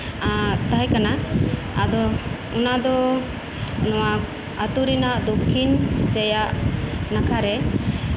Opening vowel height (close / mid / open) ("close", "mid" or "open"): open